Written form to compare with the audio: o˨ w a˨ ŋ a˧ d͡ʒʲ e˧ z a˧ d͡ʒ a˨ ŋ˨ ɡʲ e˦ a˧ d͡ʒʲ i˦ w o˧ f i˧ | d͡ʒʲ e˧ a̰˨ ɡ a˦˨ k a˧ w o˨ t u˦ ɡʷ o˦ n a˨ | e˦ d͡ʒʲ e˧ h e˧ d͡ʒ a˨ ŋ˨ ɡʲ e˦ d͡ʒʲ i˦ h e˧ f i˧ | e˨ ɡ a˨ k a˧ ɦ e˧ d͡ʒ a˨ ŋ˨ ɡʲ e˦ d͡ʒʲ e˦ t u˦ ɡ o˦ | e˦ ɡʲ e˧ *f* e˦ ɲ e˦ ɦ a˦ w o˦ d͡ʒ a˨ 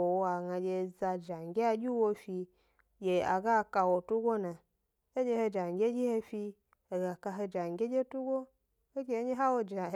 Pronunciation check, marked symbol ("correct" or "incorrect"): incorrect